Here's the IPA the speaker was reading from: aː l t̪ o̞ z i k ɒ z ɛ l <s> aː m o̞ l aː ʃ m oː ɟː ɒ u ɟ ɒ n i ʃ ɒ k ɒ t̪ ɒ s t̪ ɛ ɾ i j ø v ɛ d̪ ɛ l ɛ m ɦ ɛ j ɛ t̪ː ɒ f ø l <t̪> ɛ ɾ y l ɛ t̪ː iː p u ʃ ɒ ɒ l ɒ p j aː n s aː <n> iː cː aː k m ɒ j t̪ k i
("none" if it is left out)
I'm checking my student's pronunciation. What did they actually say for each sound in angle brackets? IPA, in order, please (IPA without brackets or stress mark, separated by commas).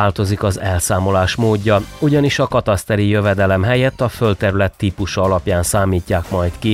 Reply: s, t̪, m